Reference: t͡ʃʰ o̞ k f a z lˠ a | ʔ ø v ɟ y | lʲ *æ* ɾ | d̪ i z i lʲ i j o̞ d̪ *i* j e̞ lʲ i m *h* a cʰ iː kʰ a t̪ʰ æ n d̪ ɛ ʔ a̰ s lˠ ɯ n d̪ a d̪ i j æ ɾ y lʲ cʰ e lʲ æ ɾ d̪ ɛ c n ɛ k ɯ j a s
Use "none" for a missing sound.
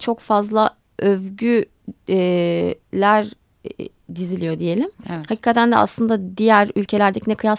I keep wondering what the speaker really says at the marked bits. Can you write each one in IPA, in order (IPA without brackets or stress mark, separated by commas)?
æ, i, h